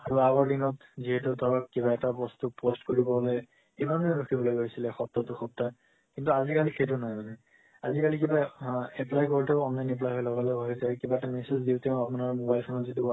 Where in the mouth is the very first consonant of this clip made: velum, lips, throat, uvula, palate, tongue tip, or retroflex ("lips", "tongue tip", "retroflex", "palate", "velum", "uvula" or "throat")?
tongue tip